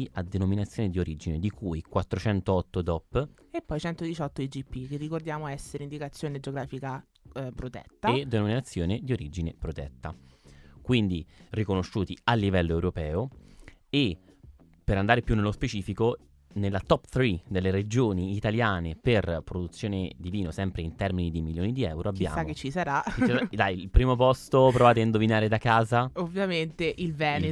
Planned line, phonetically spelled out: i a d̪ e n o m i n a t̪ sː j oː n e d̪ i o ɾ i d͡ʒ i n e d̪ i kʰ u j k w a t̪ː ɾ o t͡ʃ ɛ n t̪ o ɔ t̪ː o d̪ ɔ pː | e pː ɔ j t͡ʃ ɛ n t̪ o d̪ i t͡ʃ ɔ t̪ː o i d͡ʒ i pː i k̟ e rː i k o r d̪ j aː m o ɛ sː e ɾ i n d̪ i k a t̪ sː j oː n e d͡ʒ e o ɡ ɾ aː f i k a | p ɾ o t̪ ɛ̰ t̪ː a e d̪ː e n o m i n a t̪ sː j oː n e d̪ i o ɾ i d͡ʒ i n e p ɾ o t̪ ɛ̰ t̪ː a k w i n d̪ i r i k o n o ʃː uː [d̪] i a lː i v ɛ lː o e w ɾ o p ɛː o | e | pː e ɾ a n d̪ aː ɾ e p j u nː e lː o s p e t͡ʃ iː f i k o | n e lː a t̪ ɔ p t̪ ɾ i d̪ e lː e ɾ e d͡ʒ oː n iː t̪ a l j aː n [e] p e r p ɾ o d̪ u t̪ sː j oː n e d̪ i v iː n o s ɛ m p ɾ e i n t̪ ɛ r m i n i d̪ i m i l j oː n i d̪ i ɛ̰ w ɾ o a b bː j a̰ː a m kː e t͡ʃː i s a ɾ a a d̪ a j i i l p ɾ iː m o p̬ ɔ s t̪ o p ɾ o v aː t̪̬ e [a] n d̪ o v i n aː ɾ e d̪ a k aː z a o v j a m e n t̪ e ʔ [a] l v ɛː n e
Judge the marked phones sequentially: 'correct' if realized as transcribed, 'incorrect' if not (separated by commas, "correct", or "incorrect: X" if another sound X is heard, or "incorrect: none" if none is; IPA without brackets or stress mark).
incorrect: t̪, correct, incorrect: i, incorrect: i